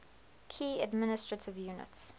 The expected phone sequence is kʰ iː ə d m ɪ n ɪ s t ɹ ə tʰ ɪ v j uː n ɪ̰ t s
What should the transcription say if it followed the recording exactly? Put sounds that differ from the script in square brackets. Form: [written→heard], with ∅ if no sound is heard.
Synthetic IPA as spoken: kʰ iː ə d m ɪ n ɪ s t ɹ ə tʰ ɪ v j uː n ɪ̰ t s